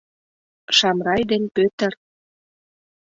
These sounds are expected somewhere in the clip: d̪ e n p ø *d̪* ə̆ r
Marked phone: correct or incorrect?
incorrect: t̪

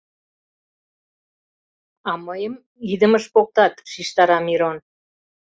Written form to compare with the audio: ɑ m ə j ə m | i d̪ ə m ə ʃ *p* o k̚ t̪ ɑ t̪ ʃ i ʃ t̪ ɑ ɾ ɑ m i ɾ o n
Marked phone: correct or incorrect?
correct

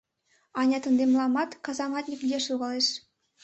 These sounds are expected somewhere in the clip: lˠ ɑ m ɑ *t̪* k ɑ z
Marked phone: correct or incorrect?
correct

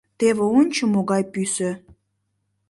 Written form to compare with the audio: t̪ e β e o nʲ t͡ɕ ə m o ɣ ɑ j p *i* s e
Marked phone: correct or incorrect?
incorrect: y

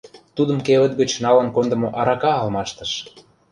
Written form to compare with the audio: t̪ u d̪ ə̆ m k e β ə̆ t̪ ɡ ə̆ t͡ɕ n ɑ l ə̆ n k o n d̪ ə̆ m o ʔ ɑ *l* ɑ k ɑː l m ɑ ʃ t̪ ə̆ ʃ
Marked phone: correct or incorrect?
incorrect: ɾ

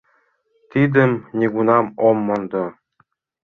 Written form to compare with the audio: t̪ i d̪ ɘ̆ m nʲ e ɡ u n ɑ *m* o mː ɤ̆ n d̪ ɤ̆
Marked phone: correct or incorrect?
correct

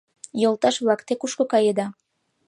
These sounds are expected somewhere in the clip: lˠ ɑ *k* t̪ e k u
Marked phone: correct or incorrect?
correct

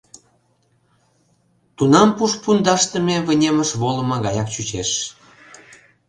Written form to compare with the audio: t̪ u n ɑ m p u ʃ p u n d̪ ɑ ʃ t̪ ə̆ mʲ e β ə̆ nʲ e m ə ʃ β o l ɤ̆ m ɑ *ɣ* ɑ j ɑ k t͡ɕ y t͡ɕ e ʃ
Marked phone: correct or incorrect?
correct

